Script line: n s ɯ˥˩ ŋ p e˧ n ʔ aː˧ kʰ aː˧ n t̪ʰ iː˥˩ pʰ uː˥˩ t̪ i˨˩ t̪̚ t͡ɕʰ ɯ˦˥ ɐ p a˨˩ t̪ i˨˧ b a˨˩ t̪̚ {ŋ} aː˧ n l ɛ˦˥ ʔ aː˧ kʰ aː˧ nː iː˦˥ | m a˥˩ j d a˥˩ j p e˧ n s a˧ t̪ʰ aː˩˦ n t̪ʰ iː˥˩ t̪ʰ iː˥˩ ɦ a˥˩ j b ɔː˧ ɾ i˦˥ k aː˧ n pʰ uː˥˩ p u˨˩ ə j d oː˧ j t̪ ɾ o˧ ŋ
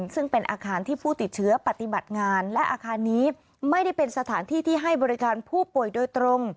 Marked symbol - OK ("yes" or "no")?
yes